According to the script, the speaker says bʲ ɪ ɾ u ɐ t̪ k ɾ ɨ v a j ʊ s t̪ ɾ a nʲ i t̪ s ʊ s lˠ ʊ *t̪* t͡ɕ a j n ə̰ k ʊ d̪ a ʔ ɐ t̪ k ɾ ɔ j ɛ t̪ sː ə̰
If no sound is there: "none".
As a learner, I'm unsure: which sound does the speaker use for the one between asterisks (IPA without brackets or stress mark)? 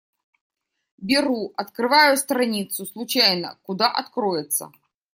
none